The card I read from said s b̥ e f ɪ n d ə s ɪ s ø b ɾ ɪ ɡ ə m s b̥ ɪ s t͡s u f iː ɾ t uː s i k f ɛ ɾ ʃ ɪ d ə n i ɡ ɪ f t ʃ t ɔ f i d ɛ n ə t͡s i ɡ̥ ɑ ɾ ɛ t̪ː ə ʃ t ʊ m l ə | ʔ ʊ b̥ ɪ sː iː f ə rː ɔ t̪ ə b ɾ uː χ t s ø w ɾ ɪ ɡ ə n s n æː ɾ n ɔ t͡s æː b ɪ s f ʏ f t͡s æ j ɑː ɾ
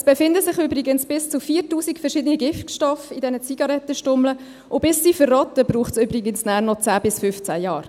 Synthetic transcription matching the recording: s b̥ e f ɪ n d ə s ɪ χ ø b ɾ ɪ ɡ ə n s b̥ ɪ s t͡s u f iː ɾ t uː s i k f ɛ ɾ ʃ ɪ d ə n i ɡ ɪ f t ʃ t ɔ f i d ɛ n ə t͡s i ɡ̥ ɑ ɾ ɛ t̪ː ə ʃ t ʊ m l ə | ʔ ʊ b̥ ɪ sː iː f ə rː ɔ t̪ ə b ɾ uː χ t s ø b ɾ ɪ ɡ ə n s n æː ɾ n ɔ t͡s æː b ɪ s f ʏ f t͡s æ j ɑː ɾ